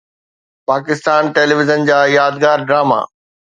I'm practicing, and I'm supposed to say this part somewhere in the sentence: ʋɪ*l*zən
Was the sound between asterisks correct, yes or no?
no